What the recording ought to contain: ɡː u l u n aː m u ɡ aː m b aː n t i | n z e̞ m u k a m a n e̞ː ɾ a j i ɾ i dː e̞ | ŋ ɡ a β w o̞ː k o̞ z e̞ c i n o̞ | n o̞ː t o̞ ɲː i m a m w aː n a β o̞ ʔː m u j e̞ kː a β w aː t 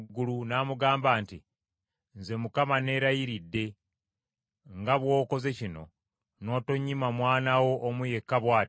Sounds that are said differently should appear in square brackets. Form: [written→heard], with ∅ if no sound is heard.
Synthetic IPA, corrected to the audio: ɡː u l u n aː m u ɡ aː m b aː n t i | n z e̞ m u k a m a n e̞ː ɾ a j i ɾ i dː e̞ | ŋ ɡ a β w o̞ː k o̞ z e̞ c i n o̞ | n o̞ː t o̞ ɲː i m a m w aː n a [β→w] o̞ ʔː m u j e̞ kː a β w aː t